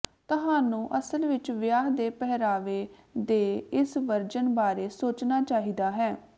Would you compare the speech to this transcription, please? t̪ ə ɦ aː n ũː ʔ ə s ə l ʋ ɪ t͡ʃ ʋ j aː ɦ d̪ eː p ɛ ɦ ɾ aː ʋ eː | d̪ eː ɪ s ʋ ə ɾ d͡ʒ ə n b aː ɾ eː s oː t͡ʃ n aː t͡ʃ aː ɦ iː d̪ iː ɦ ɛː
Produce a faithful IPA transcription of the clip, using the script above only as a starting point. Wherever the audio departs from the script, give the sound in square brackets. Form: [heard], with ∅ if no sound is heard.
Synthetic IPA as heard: t̪ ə ɦ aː n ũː ʔ ə s ə l ʋ ɪ t͡ʃ ʋ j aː ɦ d̪ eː p ɛ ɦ ɾ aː ʋ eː | d̪ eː ɪ s ʋ ə ɾ d͡ʒ ə n b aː ɾ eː s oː t͡ʃ n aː t͡ʃ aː ɦ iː d̪ [aː] ɦ ɛː